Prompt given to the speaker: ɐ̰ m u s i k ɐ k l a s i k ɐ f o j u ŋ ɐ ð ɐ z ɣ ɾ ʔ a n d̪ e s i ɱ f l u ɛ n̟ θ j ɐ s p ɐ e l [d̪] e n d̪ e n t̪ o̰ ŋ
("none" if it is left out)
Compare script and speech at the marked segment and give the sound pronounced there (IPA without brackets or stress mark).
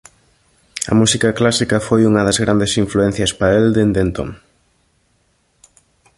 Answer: d̪